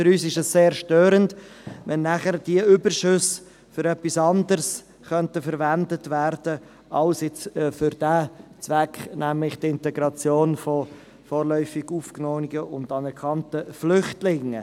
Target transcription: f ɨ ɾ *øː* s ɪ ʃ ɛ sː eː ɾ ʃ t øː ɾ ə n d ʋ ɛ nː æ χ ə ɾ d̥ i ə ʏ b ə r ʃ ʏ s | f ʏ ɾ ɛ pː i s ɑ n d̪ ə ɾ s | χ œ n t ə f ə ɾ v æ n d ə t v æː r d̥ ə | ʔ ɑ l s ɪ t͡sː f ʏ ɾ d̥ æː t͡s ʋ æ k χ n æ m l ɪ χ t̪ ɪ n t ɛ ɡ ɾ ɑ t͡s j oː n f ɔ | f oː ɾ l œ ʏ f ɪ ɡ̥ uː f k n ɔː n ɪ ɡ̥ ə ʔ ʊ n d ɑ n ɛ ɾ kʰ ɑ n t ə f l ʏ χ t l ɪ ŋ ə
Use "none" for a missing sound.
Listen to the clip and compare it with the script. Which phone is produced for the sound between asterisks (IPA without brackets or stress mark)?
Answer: yː